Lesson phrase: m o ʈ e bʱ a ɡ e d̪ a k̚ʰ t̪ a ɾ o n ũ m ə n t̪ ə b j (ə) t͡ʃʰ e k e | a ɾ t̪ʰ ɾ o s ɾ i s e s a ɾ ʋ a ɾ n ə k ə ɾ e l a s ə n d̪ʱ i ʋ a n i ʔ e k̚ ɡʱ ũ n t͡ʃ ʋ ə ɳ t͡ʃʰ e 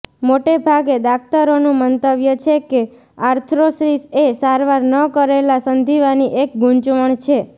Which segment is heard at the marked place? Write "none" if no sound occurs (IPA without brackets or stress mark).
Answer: ə